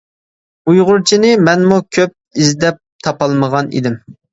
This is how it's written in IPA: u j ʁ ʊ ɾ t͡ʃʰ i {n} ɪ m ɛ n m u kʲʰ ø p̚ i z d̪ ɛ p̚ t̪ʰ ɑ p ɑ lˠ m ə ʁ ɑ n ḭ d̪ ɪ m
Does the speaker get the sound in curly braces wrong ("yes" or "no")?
no